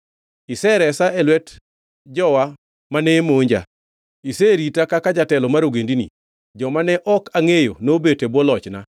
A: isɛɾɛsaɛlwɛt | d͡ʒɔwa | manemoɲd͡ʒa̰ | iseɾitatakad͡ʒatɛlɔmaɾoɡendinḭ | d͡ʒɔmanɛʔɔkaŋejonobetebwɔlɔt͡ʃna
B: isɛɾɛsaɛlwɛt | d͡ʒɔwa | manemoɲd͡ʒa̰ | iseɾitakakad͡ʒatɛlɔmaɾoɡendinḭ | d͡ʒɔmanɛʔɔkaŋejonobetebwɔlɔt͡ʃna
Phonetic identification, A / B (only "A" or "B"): B